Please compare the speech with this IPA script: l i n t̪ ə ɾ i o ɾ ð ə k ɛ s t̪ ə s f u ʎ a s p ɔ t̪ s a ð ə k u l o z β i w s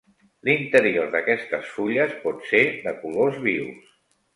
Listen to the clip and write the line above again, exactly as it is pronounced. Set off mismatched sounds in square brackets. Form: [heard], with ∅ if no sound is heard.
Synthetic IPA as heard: l i n t̪ ə ɾ i o ɾ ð ə k ɛ s t̪ ə s f u ʎ [ə] s p ɔ t̪ s [e] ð ə k u l o z β i w s